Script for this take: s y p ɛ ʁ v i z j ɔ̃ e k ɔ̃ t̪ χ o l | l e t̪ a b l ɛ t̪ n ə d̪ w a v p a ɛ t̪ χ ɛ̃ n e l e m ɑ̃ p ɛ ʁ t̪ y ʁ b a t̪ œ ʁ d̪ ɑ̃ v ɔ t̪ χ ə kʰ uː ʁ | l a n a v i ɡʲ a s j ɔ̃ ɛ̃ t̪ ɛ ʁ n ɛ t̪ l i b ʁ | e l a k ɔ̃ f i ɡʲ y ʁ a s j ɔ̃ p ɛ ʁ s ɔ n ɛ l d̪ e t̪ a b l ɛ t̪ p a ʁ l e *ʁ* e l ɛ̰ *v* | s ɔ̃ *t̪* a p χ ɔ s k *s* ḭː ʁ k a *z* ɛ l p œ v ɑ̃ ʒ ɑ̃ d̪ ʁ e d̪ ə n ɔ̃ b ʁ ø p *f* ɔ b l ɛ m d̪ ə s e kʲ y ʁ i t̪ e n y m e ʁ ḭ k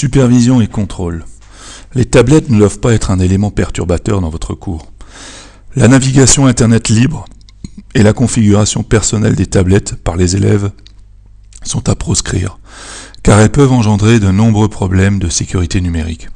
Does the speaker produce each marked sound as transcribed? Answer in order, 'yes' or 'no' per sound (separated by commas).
no, yes, yes, no, no, no